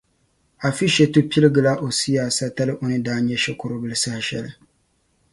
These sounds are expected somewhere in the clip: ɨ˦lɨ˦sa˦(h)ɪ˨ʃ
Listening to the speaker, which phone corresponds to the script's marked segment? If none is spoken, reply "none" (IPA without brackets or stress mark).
h